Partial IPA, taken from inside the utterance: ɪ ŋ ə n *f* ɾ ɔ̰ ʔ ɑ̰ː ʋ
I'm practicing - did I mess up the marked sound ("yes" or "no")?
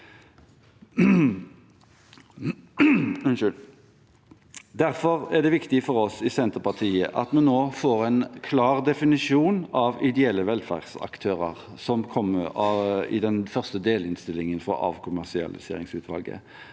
no